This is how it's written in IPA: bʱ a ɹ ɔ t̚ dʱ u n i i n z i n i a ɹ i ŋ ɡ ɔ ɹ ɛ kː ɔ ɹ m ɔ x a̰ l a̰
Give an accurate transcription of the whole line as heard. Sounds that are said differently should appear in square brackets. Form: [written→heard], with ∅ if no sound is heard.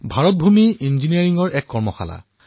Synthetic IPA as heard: bʱ a ɹ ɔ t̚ [dʱ→bʱ] u [n→m] i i n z i n i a ɹ i ŋ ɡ ɔ ɹ ɛ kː ɔ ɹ m ɔ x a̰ l a̰